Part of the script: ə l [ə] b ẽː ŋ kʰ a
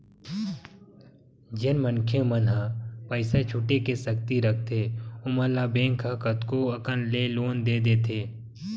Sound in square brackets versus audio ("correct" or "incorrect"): incorrect